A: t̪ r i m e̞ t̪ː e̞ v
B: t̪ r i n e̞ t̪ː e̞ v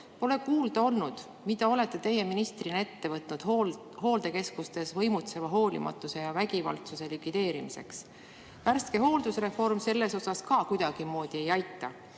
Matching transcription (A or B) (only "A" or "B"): B